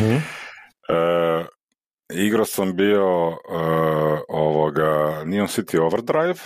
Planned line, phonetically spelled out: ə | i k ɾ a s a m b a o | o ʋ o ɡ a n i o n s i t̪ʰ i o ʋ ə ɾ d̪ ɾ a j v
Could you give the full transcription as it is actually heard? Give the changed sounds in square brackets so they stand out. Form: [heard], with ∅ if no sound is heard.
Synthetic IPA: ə | i [ɡ] ɾ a s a m b [i] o | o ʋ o ɡ a n i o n s i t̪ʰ i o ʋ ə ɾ d̪ ɾ a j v